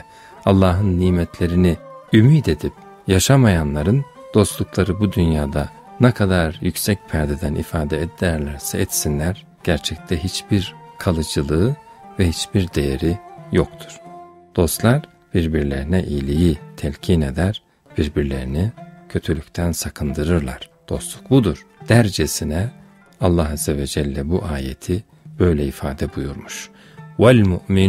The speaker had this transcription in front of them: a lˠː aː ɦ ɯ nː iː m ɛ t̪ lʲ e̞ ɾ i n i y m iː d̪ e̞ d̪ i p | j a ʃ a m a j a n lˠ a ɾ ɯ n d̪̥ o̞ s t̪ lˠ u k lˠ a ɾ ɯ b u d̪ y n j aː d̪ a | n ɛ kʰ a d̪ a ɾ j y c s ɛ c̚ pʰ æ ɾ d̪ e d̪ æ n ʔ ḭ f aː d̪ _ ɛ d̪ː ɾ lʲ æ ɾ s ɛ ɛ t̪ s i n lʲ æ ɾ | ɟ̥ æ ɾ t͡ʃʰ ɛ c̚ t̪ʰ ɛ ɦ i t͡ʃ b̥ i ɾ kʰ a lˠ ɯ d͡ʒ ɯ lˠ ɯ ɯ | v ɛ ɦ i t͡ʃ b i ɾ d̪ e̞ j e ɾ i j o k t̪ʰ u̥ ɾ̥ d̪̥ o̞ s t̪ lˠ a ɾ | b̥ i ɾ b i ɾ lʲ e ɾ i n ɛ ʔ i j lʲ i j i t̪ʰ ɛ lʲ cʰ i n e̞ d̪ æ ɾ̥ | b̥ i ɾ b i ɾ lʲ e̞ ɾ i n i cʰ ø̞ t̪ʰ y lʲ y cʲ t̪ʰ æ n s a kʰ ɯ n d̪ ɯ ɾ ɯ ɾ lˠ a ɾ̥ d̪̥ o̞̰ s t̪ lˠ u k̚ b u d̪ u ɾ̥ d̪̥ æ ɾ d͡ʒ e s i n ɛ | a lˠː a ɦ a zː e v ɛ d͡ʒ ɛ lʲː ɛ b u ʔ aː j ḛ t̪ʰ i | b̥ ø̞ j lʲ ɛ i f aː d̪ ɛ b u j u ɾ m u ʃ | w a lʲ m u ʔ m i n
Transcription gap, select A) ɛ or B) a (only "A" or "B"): A